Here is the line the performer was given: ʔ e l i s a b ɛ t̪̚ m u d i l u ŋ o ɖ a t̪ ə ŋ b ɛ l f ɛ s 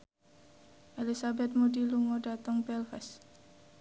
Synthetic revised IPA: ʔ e l i s a b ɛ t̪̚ m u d i l u ŋ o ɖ a t̪ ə ŋ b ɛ l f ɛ s